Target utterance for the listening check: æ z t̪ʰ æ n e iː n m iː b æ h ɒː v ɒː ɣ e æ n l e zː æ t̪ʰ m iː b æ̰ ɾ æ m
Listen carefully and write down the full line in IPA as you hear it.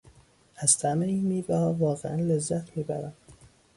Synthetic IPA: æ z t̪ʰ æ m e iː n m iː b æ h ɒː v ɒː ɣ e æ n l e zː æ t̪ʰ m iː b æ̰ ɾ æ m